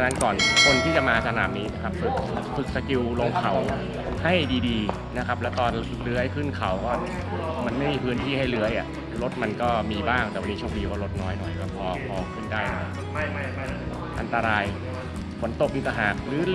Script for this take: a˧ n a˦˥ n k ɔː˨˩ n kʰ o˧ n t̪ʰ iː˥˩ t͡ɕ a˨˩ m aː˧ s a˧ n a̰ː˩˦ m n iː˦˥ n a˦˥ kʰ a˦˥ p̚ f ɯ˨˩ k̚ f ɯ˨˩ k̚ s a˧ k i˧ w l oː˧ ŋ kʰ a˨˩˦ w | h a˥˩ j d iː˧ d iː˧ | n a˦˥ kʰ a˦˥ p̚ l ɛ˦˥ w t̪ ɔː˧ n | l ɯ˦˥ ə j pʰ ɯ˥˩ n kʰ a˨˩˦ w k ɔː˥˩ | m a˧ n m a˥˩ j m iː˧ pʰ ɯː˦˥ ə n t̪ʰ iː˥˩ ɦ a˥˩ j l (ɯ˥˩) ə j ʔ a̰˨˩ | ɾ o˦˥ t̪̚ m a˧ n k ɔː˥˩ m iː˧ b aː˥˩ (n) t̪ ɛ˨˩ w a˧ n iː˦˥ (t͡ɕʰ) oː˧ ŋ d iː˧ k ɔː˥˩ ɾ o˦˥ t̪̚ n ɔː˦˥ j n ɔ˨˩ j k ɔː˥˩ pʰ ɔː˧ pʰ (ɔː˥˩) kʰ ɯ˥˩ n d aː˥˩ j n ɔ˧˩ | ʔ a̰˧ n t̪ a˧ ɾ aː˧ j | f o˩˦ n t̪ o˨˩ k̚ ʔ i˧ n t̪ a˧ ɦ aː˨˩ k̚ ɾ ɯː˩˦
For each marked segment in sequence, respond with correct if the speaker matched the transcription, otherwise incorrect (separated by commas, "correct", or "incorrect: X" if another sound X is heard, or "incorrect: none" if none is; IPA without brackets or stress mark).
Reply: incorrect: ɯ˦˥, incorrect: ŋ, correct, incorrect: ɔː˧